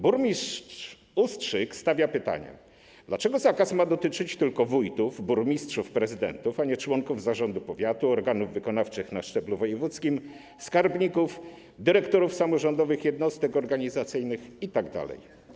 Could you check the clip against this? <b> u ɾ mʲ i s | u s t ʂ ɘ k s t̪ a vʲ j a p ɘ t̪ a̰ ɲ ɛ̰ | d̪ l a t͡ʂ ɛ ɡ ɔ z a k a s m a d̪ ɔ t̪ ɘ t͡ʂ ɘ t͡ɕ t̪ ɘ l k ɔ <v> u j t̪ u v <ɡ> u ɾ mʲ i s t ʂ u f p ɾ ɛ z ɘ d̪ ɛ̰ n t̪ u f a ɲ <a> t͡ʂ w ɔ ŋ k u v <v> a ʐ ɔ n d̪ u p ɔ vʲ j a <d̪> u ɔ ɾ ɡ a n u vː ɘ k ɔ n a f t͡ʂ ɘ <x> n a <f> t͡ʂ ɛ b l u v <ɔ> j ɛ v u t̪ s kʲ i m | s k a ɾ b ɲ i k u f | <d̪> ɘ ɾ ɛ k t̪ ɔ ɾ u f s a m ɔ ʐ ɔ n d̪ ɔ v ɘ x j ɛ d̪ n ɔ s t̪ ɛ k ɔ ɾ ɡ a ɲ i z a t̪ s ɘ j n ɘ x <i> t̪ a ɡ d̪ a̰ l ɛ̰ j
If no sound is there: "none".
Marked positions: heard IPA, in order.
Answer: b, v, b, ɛ, z, t̪, x, ʂ, ɔ, d̪, i

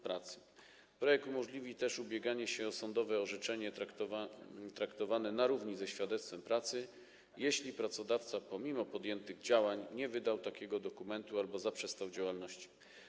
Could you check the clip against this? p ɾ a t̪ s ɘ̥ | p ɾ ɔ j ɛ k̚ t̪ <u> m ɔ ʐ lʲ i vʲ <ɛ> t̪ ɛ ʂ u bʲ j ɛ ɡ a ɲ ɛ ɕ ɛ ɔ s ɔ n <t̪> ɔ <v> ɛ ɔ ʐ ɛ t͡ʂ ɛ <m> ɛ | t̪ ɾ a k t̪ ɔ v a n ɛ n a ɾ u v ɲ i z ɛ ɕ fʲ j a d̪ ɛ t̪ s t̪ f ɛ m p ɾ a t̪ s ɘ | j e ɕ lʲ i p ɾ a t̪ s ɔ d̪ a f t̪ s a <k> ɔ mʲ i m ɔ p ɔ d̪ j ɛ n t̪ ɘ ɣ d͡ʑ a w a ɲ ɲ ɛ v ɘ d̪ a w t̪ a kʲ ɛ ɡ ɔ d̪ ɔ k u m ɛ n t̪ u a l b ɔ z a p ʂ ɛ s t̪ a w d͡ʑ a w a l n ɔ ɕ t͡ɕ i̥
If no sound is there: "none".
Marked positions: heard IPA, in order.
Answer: u, i, d̪, v, ɲ, p

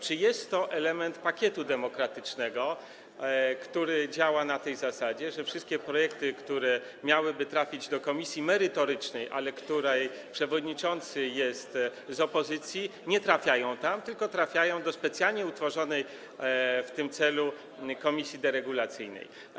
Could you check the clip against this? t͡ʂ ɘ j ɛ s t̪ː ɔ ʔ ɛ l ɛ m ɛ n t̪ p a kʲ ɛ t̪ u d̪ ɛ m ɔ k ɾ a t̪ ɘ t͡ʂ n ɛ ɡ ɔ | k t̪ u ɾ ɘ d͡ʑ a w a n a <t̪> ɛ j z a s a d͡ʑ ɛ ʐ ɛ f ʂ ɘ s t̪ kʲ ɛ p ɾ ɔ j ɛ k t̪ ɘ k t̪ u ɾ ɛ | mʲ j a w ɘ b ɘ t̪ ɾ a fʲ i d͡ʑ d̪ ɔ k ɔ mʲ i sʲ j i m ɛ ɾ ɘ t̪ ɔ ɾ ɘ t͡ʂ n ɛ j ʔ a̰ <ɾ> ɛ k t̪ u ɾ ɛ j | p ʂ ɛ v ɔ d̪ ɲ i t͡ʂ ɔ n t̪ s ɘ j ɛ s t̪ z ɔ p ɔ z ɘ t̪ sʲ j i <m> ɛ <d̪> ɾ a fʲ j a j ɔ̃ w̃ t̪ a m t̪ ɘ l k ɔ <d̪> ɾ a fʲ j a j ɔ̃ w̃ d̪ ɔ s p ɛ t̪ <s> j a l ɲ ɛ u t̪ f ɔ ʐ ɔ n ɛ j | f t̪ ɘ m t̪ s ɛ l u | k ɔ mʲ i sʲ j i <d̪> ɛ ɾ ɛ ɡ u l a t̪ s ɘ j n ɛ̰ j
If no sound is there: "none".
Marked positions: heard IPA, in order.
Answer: t̪, l, ɲ, t̪, t̪, s, d̪

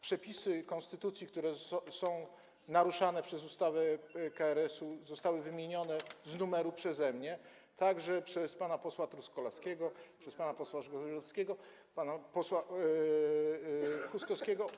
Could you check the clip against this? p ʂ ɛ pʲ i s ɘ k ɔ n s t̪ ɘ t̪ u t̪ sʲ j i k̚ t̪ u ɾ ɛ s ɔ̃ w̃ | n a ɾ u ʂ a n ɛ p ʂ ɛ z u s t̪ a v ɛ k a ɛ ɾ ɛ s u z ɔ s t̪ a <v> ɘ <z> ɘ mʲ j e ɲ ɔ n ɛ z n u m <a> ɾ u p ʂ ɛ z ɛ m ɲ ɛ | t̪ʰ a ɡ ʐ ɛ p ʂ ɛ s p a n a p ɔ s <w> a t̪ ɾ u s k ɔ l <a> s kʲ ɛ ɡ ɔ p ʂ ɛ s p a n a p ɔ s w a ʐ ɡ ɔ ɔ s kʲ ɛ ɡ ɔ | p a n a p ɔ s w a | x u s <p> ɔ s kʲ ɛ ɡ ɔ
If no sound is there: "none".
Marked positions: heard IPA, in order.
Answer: w, v, ɛ, w, a, k

